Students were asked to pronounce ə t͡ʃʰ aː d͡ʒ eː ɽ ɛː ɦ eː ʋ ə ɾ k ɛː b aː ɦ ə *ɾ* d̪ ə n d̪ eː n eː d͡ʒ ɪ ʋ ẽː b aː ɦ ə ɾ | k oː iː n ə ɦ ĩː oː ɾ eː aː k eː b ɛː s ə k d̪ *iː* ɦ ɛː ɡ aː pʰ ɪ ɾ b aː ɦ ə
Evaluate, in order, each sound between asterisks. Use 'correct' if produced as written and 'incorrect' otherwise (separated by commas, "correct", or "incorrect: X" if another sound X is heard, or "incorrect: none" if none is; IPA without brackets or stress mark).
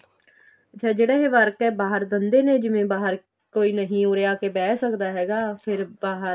correct, incorrect: aː